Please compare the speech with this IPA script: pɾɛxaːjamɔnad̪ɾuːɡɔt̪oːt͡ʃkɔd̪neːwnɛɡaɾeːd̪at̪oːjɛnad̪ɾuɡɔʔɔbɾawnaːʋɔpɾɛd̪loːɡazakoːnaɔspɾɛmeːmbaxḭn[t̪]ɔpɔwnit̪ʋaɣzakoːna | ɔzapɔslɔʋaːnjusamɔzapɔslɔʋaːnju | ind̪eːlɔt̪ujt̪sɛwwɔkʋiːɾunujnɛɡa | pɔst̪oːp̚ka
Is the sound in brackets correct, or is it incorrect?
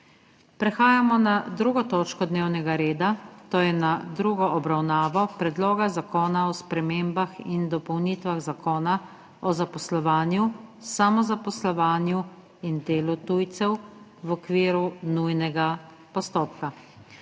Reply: incorrect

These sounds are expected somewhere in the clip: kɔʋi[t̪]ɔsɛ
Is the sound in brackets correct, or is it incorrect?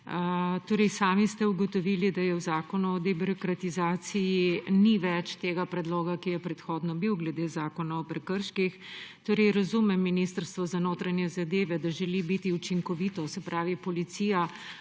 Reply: correct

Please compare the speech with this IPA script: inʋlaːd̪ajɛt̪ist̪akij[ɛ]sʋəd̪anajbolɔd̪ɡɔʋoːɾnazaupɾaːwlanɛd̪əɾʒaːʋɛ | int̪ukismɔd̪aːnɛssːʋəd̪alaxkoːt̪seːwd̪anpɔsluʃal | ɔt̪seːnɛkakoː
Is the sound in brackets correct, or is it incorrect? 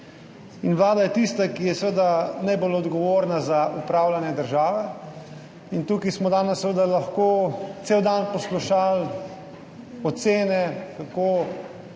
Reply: correct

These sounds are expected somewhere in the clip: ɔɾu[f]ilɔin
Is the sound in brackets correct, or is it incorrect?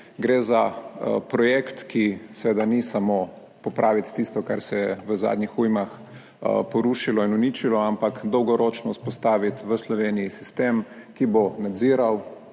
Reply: incorrect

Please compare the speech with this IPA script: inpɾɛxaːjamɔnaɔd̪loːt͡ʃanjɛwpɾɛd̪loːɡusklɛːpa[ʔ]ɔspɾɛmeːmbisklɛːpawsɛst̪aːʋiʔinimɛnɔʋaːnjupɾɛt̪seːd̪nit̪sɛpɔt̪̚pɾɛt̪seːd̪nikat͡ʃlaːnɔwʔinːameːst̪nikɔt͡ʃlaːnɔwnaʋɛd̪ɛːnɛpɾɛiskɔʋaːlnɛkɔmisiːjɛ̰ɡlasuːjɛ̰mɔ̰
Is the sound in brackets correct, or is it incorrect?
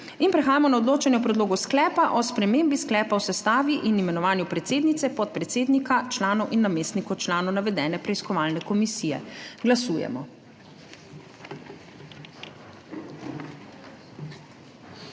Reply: correct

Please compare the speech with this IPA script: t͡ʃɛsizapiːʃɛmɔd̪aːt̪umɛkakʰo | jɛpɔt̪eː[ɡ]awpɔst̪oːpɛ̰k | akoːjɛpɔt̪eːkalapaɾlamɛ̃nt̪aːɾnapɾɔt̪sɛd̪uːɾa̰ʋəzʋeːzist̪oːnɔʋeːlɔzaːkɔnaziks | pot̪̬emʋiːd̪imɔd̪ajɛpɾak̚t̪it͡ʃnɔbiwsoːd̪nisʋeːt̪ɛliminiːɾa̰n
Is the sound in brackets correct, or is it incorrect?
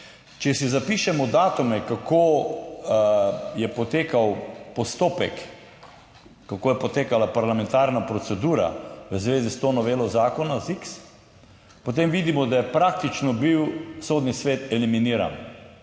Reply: incorrect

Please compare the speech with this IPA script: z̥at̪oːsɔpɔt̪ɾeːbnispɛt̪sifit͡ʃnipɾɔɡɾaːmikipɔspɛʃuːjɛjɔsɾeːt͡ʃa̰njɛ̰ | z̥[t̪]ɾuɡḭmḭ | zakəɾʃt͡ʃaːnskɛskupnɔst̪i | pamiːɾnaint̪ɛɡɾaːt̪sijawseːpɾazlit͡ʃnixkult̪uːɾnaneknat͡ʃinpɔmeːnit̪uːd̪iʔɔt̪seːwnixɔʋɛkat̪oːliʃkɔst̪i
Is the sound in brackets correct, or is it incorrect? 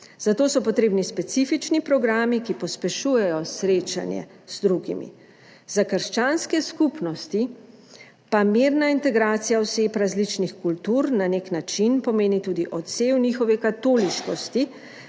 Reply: incorrect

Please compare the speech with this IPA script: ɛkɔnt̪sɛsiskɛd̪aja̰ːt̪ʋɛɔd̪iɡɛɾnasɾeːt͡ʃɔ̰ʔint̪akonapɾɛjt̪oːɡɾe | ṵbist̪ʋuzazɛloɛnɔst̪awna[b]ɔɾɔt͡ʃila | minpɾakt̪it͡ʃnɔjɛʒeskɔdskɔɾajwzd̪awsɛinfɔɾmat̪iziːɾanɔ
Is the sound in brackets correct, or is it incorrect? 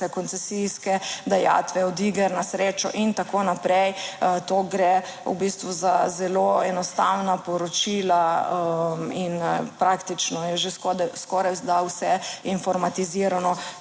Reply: incorrect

